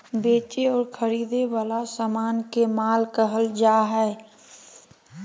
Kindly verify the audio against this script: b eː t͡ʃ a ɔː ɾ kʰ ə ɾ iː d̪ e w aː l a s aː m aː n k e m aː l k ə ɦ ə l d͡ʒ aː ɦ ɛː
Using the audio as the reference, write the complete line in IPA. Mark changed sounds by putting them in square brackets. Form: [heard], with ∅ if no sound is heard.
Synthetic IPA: b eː t͡ʃ [e] ɔː ɾ kʰ ə ɾ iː d̪ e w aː l a s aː m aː n k e m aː l k ə ɦ ə l d͡ʒ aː ɦ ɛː